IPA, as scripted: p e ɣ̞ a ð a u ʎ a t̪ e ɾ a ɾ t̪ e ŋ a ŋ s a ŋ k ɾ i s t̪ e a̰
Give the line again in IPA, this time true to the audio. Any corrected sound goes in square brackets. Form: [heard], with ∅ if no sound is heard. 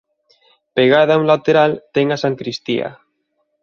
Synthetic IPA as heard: p e ɣ̞ a ð a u [l] a t̪ e ɾ a [l] t̪ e ŋ a [∅] s a ŋ k ɾ i s t̪ [i] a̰